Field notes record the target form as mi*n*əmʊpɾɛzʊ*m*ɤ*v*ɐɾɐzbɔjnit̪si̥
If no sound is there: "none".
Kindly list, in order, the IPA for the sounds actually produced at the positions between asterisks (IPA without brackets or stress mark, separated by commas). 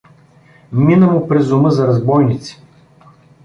n, m, z